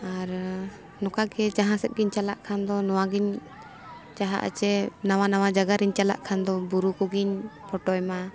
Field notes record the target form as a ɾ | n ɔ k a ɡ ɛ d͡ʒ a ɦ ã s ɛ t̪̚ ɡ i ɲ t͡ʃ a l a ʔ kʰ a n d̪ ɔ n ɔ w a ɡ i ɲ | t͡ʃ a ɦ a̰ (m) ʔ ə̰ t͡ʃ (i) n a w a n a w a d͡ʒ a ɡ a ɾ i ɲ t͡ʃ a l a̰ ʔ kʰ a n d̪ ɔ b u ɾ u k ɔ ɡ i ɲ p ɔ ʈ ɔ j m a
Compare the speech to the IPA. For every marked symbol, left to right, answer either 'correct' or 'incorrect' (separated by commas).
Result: incorrect, incorrect